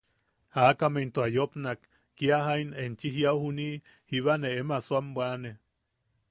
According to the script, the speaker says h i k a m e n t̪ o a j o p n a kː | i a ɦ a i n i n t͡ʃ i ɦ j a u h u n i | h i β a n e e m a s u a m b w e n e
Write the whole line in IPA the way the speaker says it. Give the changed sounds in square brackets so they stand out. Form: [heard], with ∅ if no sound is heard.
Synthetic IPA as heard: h [a] k a m e n t̪ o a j o p n a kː | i a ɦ a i n [e] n t͡ʃ i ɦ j a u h u n i | h i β a n e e m a s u a m b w [a] n e